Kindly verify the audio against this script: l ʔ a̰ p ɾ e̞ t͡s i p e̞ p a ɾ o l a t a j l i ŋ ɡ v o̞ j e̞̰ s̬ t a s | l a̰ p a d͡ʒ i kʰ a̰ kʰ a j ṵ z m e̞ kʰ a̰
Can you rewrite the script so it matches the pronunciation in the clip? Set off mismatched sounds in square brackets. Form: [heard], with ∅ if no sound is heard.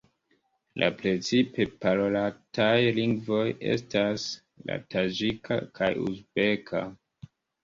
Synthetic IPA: l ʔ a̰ p ɾ e̞ t͡s i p e̞ p a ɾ o l a t a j l i ŋ ɡ v o̞ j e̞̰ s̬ t a s | l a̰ [t] a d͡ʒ i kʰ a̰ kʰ a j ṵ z [b] e̞ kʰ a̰